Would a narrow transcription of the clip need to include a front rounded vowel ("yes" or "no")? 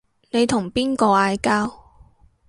no